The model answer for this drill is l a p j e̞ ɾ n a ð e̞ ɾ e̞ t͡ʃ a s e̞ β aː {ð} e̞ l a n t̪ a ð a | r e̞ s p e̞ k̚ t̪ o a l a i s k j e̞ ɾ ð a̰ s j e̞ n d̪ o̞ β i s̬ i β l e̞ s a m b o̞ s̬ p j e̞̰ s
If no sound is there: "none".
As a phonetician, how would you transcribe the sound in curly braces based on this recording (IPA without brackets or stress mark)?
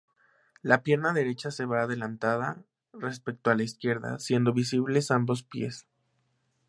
ð